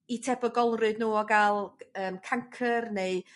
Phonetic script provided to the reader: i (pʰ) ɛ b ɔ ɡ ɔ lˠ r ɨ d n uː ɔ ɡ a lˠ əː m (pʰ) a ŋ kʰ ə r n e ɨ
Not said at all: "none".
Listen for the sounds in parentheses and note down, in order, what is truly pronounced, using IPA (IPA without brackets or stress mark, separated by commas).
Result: tʰ, kʰ